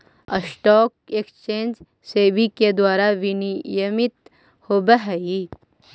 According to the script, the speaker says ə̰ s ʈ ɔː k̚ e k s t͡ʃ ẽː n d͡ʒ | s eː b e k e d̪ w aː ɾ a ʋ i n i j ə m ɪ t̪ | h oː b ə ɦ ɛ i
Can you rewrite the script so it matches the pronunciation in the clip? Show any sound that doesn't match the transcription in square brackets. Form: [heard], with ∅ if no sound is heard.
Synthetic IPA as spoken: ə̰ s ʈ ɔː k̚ e k s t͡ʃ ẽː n d͡ʒ | s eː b [i] k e d̪ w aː ɾ a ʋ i n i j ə m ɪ t̪ | h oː b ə ɦ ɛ i